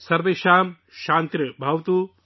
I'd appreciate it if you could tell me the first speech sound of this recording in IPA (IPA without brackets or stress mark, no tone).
s